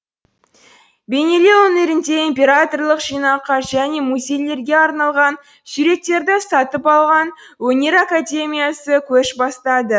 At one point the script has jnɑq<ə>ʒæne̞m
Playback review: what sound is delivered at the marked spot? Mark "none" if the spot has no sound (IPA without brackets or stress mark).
ɑ